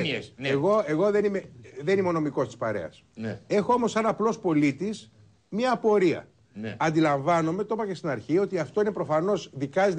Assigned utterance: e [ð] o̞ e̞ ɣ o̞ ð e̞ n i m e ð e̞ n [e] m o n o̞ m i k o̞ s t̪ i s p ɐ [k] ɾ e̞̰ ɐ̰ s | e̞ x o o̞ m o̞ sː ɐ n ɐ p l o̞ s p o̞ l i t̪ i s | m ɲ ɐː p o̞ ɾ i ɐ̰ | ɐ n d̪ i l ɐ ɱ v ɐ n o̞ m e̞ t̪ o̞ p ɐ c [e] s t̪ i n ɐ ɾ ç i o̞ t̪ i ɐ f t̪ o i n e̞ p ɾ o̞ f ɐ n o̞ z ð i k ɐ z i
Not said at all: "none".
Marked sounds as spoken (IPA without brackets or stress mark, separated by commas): ɣ, i, none, e